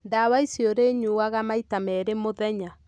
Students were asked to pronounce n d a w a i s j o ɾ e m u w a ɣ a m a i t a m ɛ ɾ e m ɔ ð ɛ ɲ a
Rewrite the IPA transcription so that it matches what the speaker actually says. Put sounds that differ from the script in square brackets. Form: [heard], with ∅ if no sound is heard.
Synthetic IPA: n d a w a i s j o ɾ e [ɲ] u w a ɣ a m a i t a m ɛ ɾ e m [o] ð ɛ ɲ a